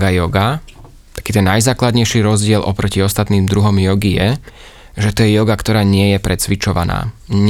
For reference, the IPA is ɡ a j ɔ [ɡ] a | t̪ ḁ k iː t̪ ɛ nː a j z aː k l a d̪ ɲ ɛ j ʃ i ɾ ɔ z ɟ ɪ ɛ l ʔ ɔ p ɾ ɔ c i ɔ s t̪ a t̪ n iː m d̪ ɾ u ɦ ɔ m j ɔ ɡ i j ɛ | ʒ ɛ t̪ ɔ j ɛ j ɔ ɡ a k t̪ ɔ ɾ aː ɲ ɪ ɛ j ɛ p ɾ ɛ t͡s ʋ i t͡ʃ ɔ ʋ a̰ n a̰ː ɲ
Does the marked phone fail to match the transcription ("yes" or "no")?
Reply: no